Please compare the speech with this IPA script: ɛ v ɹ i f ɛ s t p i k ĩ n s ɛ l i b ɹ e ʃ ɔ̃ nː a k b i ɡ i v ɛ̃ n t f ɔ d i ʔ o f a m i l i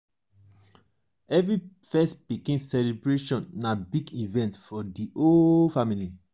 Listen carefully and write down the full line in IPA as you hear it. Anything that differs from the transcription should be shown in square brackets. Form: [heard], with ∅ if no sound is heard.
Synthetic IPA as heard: ɛ v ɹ i f ɛ s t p i k ĩ n s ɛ l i b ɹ e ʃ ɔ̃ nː a [∅] b i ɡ i v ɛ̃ n t f ɔ d i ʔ o f a m i l i